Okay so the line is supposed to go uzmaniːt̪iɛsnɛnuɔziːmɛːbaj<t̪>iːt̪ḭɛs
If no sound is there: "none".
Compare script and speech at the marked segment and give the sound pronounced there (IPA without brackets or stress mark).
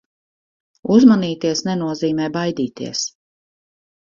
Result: d̪